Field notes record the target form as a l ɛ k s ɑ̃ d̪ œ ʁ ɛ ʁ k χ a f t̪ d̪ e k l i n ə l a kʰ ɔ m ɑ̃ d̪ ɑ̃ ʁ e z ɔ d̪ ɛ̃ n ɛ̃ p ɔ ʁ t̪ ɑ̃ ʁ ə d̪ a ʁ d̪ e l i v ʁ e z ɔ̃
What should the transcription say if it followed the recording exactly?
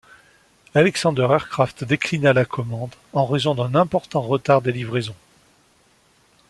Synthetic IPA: a l ɛ k s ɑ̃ d̪ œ ʁ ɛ ʁ k χ a f t̪ d̪ e k l i n a l a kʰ ɔ m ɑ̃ d̪ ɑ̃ ʁ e z ɔ̃ d̪ ɛ̃ n ɛ̃ p ɔ ʁ t̪ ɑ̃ ʁ ə t̪ a ʁ d̪ e l i v ʁ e z ɔ̃